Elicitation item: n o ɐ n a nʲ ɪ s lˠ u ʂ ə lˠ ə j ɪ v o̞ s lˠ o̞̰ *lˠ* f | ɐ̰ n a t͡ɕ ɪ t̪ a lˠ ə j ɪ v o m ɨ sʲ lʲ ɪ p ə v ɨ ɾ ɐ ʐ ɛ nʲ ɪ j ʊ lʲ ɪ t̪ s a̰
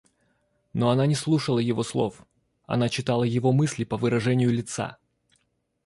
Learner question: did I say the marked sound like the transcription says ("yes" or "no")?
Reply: no